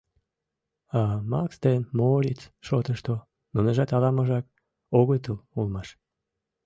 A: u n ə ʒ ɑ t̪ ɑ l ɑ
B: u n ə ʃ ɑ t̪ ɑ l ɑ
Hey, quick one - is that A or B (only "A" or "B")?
A